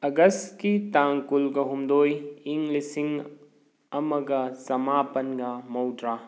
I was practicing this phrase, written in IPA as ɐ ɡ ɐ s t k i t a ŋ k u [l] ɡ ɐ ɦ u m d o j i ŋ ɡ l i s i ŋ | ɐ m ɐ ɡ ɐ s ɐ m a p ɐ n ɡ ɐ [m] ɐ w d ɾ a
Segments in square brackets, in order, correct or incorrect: correct, correct

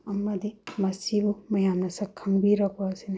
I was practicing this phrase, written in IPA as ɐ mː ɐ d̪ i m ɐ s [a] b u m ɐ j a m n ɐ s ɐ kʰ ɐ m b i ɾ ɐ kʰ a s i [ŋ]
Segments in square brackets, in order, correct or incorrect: incorrect: i, incorrect: n

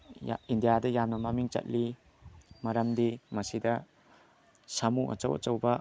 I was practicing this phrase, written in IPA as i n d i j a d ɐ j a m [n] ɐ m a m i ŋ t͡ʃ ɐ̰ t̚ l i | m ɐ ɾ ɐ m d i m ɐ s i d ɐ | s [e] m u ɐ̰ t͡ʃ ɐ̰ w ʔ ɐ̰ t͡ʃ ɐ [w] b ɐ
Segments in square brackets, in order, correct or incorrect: correct, incorrect: a, correct

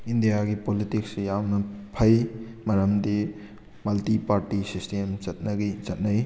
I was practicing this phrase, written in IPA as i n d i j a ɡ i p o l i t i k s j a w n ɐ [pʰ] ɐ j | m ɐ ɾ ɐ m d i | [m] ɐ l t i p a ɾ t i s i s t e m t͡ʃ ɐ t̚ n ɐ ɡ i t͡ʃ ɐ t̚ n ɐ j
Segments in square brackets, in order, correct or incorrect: correct, correct

